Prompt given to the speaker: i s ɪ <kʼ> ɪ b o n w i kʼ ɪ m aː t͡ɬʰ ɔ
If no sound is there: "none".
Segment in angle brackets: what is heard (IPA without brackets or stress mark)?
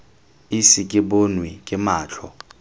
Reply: kʼ